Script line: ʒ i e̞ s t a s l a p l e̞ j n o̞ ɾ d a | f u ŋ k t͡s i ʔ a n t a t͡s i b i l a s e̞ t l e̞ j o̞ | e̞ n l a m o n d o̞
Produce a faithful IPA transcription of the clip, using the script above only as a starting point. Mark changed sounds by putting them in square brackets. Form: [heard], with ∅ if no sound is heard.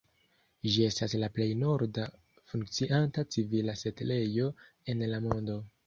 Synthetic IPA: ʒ i e̞ s t a s l a p l e̞ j n o̞ ɾ d a | f u ŋ k t͡s i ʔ a n t a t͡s i [v] i l a s e̞ t l e̞ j o̞ | e̞ n l a m o n d o̞